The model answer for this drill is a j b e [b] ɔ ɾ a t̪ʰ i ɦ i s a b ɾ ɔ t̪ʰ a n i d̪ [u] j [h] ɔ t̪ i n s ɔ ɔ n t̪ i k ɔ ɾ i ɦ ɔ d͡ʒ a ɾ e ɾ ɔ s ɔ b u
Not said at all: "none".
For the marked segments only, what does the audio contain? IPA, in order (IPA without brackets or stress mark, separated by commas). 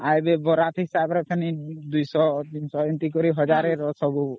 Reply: b, u, s